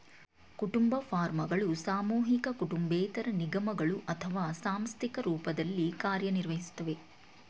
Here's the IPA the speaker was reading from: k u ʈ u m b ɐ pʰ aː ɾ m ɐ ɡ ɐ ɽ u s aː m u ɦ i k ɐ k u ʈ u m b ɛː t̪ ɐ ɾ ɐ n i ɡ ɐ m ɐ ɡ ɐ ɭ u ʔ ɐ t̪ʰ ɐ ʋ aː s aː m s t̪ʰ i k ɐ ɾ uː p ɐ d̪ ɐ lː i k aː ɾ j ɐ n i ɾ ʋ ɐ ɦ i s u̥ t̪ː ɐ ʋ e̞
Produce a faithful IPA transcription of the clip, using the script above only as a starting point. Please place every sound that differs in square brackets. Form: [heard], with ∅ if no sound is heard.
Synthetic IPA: k u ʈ u m b ɐ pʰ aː ɾ m ɐ ɡ ɐ [ɭ] u s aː m [uː] ɦ i k ɐ k u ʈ u m b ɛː t̪ ɐ ɾ ɐ n i ɡ ɐ m ɐ ɡ ɐ ɭ u ʔ ɐ t̪ʰ ɐ ʋ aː s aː m s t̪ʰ i k ɐ ɾ uː p ɐ d̪ ɐ lː i k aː ɾ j ɐ n i ɾ ʋ ɐ ɦ i s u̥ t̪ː ɐ ʋ e̞